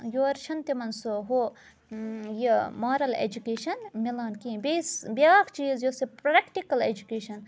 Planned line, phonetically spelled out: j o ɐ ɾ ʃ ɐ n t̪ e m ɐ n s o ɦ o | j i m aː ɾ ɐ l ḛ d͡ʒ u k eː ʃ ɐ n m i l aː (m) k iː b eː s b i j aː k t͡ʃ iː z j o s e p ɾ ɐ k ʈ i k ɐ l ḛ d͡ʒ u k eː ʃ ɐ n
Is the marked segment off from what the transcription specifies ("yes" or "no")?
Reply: yes